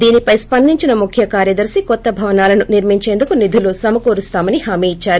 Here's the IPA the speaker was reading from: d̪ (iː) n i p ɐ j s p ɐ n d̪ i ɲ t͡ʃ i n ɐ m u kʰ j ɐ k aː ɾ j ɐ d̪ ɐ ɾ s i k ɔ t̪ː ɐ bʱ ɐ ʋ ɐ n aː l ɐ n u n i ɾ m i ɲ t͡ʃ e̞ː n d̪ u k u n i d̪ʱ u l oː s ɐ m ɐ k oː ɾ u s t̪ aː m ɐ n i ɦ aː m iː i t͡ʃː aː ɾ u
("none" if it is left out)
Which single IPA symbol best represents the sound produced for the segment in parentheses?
iː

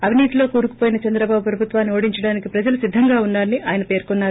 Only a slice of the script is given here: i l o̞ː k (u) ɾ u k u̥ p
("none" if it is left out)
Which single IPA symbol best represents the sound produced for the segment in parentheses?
uː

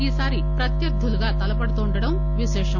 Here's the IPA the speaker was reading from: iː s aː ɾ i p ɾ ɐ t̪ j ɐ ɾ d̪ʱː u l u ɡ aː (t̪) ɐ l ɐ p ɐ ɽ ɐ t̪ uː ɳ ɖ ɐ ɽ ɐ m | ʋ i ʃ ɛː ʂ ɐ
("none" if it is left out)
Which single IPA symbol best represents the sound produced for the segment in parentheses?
t̪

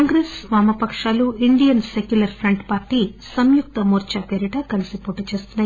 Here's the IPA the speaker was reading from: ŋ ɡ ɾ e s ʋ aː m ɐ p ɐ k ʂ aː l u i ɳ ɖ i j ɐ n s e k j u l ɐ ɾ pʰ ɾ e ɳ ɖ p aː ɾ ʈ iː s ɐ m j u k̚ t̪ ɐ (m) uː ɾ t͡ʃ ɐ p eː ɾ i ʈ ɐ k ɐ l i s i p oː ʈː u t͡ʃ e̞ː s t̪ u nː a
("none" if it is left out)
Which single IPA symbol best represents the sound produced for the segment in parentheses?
m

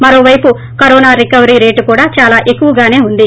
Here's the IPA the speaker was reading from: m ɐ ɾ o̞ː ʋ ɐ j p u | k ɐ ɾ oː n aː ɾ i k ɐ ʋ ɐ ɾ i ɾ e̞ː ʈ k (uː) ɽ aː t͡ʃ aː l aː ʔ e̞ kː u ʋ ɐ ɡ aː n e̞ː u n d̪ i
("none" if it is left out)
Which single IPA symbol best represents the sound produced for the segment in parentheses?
uː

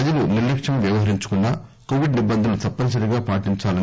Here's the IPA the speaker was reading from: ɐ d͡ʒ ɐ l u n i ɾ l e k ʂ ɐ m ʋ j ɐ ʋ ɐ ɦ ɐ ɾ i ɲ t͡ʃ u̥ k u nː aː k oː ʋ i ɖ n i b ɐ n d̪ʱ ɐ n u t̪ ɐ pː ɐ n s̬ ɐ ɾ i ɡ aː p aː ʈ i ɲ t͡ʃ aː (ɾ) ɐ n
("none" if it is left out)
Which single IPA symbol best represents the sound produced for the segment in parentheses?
l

